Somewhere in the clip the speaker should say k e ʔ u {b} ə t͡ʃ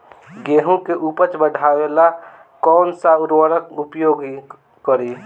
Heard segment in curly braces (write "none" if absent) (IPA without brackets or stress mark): p